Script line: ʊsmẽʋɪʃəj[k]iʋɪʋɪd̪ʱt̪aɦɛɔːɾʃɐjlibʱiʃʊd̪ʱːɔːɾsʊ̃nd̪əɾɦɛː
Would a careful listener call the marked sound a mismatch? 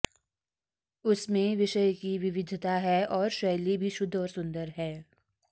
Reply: no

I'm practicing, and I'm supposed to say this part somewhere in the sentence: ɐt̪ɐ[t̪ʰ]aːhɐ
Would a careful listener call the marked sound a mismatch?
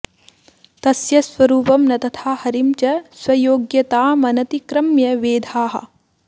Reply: no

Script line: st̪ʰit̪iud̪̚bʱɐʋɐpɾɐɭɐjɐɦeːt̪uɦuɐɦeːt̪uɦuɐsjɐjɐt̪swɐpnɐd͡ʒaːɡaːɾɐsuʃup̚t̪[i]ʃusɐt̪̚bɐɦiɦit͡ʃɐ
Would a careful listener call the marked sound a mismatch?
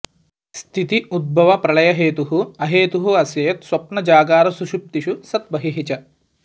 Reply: no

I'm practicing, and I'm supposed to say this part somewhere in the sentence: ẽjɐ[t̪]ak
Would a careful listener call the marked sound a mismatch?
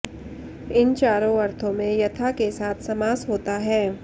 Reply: yes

